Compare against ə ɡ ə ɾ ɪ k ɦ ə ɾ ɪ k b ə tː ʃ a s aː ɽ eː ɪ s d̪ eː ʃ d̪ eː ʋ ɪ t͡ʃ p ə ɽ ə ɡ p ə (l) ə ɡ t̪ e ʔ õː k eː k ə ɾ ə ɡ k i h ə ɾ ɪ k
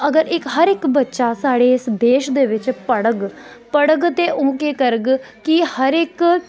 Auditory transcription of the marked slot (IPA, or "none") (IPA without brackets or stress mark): ɽ